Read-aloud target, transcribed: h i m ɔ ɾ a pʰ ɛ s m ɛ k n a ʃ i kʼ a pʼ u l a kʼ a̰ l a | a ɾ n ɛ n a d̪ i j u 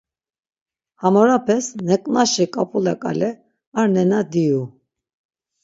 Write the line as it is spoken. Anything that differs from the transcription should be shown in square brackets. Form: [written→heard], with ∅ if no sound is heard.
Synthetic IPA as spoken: h [i→a] m ɔ ɾ a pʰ ɛ s [m→n] ɛ [k→kʼ] n a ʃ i kʼ a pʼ u l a kʼ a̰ l [a→ɛ] | a ɾ n ɛ n a d̪ i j u